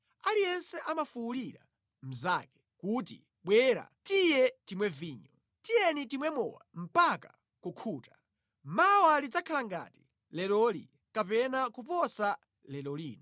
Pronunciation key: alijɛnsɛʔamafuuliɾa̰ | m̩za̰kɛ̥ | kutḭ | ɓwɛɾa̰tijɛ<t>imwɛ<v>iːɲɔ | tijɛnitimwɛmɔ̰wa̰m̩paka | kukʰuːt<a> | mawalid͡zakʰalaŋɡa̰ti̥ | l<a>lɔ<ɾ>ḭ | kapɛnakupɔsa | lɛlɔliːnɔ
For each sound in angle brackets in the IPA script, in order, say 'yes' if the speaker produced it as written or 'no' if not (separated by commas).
yes, yes, yes, no, no